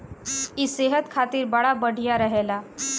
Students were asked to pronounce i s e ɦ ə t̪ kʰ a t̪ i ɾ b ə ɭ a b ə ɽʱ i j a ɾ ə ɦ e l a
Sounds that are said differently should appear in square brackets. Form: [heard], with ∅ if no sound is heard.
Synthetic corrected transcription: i s e ɦ ə t̪ kʰ a t̪ [iː] ɾ b ə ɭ a b ə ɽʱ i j a ɾ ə ɦ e l a